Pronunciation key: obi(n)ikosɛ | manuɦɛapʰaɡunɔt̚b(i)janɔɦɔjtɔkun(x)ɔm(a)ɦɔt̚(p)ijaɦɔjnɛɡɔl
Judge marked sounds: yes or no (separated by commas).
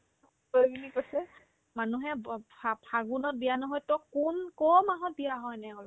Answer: yes, yes, no, yes, no